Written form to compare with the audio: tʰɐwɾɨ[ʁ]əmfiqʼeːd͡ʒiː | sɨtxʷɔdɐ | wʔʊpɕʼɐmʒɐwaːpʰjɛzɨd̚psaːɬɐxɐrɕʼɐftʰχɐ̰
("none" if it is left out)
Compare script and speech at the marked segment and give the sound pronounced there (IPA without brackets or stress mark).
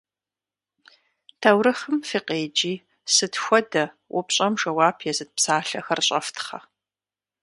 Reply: χ